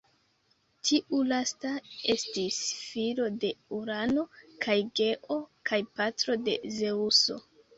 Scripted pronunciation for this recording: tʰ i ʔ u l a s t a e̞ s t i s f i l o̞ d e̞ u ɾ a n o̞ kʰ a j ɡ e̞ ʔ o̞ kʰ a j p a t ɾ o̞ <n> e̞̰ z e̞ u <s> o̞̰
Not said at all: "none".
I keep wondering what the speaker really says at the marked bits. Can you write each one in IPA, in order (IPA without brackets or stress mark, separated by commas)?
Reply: d, s